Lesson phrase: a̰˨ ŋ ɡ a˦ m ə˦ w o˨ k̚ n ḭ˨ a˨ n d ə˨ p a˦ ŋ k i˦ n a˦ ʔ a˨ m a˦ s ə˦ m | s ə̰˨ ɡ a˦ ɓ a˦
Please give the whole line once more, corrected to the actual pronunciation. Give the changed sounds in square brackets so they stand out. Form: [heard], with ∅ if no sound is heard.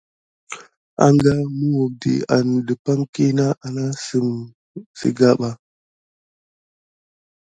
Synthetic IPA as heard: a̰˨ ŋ ɡ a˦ m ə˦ w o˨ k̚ [d] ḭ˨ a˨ n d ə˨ p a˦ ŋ k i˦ n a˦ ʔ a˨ [n] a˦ s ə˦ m | s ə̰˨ ɡ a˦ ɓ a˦